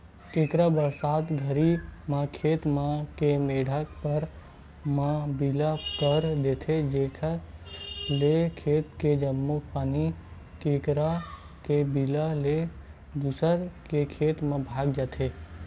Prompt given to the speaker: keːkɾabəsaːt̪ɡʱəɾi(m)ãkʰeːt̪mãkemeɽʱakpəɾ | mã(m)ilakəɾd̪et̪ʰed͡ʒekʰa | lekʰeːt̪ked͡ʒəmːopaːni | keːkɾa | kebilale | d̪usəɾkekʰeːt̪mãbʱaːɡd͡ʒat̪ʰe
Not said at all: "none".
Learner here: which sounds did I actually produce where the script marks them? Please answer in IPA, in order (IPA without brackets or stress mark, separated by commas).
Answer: m, b